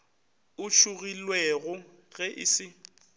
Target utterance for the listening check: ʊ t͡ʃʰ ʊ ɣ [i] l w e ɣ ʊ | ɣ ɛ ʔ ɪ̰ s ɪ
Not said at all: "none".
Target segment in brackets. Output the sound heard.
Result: i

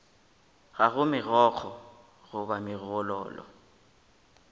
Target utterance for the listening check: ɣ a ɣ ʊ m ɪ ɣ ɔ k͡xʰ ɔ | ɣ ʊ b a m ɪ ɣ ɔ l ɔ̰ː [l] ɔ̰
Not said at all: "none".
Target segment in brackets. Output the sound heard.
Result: l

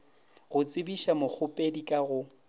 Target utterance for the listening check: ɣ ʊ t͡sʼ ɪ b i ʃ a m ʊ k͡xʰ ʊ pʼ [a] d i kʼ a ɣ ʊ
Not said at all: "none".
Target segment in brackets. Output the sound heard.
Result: e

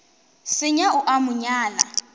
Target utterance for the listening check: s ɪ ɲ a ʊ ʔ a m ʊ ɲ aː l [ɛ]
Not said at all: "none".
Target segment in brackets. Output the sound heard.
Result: a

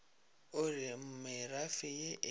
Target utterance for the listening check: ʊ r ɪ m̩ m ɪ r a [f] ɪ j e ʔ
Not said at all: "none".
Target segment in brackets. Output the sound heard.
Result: f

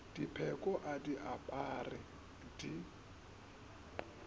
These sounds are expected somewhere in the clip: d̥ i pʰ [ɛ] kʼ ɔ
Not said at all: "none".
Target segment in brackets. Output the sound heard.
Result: ɛ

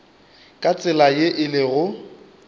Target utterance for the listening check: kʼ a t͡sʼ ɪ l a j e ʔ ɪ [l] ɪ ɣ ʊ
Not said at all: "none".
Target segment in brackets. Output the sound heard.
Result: l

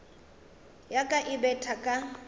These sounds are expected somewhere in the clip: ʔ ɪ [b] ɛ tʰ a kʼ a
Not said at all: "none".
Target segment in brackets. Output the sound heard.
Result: b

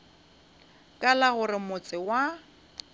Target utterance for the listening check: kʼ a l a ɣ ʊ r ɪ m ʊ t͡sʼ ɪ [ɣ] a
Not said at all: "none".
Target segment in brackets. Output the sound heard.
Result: w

